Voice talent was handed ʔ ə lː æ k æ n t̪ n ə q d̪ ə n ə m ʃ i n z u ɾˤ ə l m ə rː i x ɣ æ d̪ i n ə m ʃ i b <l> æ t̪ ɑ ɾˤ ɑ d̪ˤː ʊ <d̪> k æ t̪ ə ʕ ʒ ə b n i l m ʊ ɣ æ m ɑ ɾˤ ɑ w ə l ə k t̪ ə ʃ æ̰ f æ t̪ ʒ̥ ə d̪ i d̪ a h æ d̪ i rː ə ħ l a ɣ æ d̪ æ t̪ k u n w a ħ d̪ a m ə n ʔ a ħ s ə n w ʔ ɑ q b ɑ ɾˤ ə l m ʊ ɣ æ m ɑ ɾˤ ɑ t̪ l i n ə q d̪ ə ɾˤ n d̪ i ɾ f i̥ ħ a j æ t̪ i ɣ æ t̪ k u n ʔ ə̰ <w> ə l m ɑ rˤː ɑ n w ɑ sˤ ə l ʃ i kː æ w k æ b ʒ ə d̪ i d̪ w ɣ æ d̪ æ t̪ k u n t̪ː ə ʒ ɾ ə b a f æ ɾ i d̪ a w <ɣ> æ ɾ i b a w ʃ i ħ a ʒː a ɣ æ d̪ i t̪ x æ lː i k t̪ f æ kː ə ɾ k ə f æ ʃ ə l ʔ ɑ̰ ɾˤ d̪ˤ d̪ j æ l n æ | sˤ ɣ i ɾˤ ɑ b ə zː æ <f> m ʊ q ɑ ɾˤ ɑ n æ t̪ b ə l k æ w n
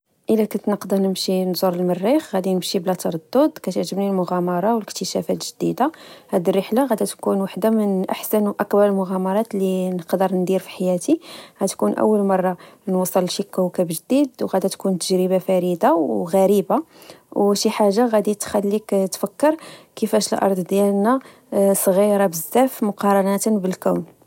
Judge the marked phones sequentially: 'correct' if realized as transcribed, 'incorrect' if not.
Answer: correct, correct, incorrect: wː, correct, correct

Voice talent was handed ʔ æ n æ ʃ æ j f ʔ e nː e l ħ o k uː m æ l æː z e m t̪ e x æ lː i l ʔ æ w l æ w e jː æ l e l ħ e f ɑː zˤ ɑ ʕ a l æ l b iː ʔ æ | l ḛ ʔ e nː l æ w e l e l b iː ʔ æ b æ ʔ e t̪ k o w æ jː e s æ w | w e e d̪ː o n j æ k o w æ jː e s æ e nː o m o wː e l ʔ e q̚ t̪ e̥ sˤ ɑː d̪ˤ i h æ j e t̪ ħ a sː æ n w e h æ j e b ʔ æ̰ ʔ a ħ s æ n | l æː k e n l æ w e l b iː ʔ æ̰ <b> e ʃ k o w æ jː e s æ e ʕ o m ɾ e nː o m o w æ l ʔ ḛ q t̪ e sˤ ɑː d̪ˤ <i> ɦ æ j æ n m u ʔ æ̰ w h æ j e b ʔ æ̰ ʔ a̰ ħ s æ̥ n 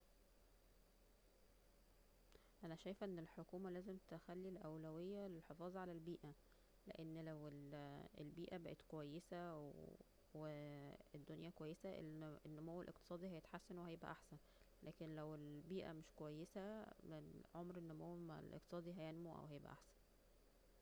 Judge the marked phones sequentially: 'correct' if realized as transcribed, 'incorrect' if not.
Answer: incorrect: m, correct

